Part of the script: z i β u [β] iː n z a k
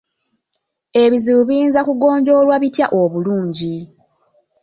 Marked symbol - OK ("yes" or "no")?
yes